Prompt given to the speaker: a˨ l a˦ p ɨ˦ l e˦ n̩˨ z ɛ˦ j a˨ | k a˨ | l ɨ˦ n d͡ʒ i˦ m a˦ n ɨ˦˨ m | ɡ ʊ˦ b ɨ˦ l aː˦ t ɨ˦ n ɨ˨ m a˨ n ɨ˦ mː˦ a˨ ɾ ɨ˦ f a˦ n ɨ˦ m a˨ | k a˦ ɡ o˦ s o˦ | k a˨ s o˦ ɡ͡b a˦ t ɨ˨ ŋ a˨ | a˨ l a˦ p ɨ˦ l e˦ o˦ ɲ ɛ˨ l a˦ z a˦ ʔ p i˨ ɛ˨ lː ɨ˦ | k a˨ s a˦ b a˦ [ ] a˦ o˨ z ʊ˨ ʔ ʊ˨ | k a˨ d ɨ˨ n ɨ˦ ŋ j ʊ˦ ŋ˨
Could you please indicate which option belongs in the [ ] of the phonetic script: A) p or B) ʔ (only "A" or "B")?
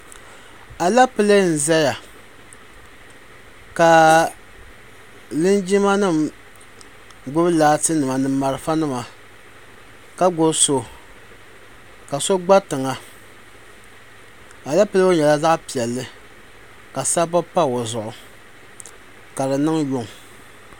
A